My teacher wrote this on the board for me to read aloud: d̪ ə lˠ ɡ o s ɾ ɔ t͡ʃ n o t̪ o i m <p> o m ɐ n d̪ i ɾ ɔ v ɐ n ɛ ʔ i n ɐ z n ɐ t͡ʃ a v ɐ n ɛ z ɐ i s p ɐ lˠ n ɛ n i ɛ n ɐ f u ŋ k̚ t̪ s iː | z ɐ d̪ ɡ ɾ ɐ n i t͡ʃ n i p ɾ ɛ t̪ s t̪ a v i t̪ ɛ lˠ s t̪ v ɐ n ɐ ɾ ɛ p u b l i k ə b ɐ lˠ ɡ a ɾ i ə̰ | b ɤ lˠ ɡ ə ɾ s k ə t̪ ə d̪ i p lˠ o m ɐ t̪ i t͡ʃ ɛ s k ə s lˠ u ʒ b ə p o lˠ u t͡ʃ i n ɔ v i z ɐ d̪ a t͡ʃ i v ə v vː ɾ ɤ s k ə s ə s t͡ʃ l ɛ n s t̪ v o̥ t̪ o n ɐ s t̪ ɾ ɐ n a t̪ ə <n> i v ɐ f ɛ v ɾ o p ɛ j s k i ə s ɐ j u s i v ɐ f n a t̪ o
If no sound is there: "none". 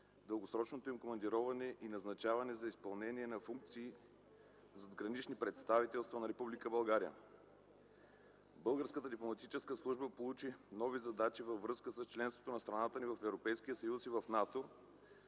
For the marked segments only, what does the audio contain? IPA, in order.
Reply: k, n

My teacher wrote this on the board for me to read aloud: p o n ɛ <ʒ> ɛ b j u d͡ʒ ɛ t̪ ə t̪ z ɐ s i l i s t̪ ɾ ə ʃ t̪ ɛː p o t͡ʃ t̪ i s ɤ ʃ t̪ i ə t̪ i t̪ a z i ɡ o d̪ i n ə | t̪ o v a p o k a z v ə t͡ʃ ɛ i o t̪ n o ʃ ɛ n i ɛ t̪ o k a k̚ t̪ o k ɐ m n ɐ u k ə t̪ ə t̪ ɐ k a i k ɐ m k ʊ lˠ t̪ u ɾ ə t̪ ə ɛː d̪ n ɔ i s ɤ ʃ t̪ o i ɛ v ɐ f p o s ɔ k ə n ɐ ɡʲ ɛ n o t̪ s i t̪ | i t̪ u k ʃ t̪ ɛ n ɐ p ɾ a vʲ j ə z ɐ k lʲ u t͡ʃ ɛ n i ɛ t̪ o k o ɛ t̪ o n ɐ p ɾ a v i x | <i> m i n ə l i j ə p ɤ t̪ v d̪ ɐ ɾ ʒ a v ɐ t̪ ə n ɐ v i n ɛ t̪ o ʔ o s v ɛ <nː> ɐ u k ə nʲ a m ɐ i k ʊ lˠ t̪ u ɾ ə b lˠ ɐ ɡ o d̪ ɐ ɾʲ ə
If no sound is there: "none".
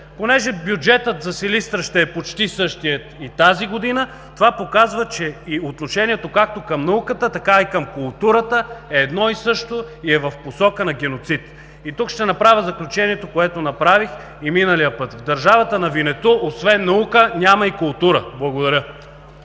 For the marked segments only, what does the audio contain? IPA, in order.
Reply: ʒ, i, nː

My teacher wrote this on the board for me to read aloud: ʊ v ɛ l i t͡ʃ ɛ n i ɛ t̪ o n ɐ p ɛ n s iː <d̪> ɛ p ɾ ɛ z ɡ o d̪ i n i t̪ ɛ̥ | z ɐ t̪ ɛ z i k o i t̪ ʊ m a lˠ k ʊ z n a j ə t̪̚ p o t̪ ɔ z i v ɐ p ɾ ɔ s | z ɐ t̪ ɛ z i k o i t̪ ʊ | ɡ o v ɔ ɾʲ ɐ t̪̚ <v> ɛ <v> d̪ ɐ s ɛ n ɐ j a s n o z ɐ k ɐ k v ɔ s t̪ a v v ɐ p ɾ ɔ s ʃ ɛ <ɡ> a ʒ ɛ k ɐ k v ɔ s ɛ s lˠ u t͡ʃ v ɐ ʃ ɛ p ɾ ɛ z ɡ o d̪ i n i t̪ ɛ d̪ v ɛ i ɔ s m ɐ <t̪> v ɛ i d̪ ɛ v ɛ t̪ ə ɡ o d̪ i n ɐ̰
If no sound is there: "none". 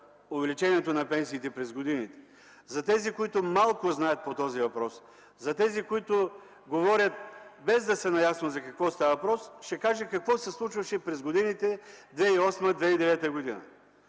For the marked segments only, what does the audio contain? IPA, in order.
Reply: t̪, b, z, k, d̪

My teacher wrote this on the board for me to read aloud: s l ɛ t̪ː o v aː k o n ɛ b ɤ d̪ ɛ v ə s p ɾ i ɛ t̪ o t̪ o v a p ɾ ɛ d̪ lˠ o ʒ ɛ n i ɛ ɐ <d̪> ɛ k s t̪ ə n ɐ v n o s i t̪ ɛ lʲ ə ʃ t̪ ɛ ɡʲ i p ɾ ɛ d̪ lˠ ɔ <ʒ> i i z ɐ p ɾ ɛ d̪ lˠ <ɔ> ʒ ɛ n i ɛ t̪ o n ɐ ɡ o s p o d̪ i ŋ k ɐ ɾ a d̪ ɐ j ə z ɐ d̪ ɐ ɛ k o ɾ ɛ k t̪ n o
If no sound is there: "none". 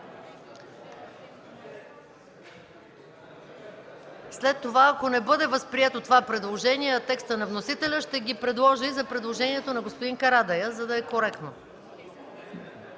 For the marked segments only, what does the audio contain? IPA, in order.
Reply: t̪, ʒ, o

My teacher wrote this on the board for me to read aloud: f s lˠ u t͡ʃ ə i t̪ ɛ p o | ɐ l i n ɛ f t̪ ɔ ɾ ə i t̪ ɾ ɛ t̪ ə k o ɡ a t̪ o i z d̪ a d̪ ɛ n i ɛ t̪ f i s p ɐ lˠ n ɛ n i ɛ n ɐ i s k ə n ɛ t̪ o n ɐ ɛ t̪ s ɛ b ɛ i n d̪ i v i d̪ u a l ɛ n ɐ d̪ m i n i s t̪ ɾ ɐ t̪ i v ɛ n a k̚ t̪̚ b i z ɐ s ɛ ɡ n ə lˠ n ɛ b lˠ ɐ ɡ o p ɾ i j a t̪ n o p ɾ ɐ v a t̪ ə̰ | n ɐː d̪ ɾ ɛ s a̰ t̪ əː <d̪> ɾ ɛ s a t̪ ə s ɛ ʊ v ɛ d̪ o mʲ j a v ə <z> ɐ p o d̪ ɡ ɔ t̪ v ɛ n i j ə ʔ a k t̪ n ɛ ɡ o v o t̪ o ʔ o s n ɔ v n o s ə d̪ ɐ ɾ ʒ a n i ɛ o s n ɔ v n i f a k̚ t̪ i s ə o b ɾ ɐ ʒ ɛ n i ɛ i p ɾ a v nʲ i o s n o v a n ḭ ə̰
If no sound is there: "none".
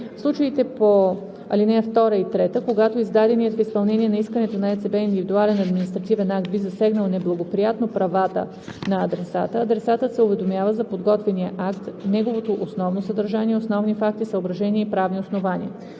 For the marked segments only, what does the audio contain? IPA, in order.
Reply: d̪, z

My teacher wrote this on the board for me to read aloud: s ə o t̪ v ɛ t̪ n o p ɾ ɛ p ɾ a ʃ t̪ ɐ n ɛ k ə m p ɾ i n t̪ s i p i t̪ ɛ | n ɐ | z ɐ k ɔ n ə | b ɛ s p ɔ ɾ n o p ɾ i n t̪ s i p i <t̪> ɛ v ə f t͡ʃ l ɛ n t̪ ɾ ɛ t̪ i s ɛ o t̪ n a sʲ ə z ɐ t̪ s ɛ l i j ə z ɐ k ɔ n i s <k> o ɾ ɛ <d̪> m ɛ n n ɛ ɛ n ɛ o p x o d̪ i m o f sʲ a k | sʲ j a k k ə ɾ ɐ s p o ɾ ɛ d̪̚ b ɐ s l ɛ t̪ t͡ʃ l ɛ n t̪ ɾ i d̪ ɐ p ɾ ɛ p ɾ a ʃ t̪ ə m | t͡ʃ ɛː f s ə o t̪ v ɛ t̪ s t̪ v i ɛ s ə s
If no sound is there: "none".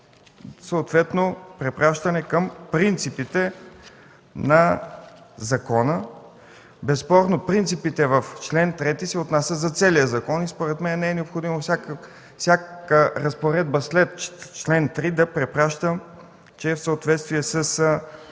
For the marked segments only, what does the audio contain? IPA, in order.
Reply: t̪, p, t̪

